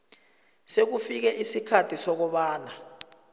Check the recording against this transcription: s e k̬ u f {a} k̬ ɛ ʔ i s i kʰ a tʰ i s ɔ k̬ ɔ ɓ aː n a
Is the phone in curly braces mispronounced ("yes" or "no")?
yes